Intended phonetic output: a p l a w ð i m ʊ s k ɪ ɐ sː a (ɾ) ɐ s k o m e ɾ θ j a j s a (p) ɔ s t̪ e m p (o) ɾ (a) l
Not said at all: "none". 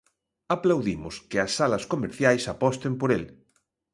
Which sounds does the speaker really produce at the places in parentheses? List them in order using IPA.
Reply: l, p, o, e

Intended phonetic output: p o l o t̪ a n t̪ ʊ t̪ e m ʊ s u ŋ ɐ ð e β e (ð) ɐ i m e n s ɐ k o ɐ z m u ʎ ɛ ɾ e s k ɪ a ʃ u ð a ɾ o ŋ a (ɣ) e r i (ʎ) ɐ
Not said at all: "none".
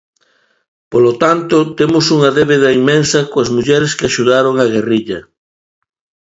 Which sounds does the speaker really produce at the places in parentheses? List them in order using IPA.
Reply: ð, ɣ, ʎ

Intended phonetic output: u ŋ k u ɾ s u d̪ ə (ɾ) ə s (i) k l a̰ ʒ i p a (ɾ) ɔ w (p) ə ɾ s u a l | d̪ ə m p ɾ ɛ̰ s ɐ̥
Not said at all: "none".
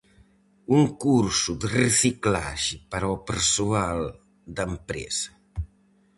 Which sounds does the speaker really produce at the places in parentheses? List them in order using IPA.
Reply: r, i, ɾ, p

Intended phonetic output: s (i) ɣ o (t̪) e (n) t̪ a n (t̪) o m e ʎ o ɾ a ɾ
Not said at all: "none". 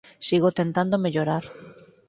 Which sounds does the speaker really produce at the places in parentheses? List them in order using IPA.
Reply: i, t̪, n, d̪

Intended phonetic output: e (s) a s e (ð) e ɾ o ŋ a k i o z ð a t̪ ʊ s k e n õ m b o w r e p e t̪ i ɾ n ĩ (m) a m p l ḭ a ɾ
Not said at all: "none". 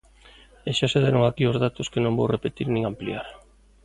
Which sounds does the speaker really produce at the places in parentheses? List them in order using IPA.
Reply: ʃ, ð, ŋ

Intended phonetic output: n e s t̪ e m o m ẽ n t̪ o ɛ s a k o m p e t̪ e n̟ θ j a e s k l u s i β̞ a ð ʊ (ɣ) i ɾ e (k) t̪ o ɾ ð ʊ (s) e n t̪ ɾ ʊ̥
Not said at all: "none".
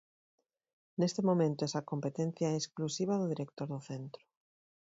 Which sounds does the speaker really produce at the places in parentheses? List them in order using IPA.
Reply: ð, k, θ

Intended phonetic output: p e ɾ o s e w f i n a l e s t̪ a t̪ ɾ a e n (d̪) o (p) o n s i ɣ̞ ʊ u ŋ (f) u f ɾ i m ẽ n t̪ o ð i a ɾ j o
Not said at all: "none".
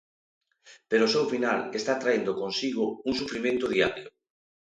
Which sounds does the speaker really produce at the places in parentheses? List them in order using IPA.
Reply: d̪, k, s

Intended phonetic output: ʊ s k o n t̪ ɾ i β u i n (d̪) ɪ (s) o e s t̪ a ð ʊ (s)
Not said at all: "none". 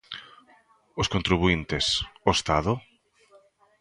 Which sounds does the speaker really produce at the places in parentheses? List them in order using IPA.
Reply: t̪, s, none

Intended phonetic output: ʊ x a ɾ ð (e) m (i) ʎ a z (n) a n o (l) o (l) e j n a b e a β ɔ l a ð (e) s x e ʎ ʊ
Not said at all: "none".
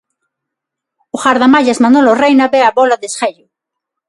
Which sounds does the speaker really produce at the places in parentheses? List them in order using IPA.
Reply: a, a, m, l, r, e

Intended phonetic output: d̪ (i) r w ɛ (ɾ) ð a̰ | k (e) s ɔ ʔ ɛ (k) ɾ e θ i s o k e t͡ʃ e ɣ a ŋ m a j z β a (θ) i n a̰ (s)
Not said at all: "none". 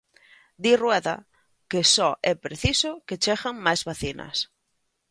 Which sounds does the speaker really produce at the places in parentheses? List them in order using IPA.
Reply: i, none, e, p, θ, s

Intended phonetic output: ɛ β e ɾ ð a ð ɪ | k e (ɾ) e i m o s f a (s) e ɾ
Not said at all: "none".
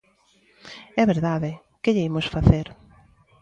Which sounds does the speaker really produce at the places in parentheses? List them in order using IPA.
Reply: ʎ, θ

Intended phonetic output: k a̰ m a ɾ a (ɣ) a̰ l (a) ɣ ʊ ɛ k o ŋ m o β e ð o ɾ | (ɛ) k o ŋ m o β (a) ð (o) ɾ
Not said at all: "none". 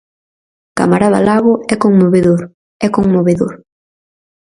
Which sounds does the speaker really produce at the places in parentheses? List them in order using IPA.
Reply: ð, a, ɛ, e, o

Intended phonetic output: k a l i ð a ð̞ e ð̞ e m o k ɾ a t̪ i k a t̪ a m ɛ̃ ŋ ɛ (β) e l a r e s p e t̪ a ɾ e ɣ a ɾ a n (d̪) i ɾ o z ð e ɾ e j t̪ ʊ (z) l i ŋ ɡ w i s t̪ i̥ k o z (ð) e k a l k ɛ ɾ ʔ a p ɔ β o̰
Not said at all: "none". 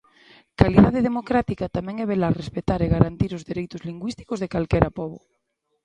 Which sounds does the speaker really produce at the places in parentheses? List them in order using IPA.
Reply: β, t̪, z, ð

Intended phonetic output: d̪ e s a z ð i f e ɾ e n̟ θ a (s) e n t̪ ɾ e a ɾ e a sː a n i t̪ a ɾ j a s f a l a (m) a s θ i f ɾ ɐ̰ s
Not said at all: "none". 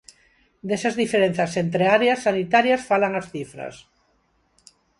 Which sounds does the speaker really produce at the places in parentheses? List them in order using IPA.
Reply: s, ŋ

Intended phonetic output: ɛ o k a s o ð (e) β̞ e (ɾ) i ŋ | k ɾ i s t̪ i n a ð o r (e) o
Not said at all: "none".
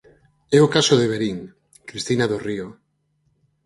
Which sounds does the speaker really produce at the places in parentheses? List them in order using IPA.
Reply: e, ɾ, i

